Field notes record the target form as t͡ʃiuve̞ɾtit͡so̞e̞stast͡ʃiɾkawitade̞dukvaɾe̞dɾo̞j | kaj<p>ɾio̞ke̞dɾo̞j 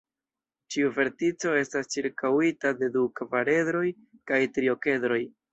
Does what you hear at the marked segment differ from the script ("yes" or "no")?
yes